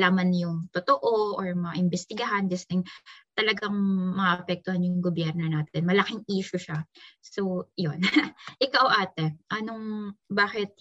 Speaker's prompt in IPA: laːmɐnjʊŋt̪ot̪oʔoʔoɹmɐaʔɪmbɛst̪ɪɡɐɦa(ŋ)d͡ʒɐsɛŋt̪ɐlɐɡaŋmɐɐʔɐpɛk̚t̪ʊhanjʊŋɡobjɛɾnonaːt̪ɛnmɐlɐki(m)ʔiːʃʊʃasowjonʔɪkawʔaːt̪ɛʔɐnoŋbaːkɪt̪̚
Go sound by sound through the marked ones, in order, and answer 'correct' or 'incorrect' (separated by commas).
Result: incorrect, incorrect